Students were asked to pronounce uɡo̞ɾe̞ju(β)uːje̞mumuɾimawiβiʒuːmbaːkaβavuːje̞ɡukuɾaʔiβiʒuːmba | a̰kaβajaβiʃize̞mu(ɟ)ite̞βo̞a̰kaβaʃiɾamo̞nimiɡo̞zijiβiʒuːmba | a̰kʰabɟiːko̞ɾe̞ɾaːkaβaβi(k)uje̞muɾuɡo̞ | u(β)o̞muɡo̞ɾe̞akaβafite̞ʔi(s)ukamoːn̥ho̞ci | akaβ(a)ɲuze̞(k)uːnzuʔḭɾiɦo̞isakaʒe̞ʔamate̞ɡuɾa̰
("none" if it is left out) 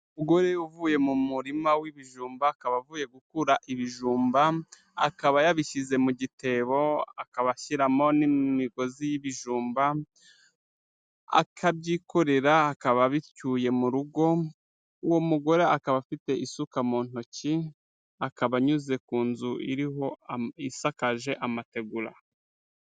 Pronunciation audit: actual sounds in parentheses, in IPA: v, ɟ, c, w, s, a, k

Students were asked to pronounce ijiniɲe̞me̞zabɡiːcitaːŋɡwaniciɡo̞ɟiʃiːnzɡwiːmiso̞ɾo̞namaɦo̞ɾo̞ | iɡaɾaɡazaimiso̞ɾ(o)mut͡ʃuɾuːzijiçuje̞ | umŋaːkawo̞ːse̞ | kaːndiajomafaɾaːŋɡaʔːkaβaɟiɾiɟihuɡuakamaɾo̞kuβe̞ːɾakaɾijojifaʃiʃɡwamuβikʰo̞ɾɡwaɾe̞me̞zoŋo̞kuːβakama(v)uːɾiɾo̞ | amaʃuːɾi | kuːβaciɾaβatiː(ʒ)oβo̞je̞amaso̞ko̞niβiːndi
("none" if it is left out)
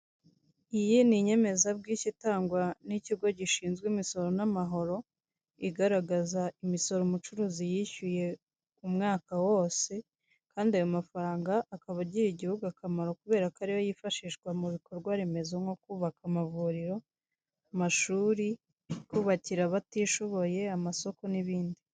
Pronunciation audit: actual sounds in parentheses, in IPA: o, v, ʃ

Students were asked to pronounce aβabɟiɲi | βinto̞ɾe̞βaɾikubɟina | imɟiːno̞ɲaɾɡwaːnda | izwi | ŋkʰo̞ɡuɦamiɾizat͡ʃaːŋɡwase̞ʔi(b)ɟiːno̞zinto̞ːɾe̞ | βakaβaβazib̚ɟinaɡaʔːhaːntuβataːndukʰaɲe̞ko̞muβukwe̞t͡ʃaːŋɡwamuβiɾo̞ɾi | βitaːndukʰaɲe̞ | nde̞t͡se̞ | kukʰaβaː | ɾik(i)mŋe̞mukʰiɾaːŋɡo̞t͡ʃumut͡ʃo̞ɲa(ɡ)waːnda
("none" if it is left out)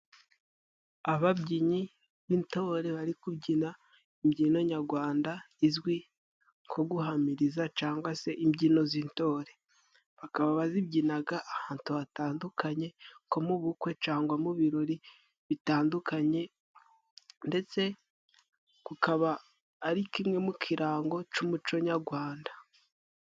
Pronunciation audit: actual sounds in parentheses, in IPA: m, i, ɡ

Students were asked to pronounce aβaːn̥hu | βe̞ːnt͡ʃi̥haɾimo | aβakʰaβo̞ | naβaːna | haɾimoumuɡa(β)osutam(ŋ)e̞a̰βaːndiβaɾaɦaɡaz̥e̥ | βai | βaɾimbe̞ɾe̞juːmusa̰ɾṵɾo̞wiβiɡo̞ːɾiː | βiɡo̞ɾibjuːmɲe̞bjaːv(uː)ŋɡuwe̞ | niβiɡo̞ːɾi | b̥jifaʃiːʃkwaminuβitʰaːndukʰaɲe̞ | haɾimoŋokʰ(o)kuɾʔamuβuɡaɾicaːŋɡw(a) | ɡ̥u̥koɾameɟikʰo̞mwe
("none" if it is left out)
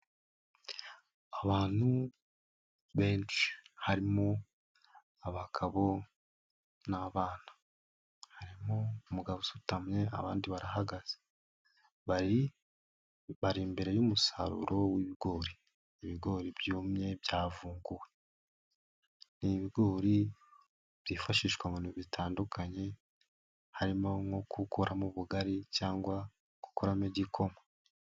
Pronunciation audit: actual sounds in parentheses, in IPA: β, ɲ, uː, u, a

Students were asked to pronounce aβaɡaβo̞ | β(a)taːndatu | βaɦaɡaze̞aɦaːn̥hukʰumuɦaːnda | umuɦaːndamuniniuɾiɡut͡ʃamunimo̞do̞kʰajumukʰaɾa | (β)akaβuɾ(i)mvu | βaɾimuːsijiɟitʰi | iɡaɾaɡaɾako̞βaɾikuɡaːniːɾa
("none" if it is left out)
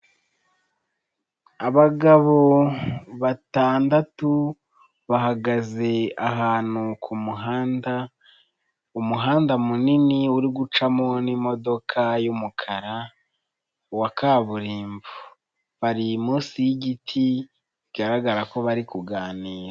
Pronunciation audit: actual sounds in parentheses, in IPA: a, w, iː

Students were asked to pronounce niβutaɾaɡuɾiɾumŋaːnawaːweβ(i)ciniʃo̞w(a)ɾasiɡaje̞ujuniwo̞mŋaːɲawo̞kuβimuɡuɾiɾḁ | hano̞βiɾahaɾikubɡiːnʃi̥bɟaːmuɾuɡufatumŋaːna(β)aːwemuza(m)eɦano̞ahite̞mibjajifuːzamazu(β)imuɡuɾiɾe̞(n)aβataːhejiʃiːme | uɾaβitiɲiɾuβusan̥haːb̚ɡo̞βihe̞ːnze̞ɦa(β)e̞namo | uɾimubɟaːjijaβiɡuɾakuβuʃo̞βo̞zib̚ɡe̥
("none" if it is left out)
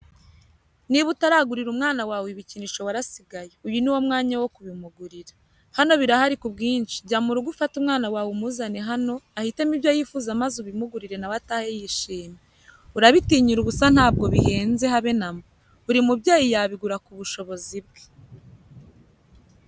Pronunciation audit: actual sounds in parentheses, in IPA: i, a, w, n, β, n, β

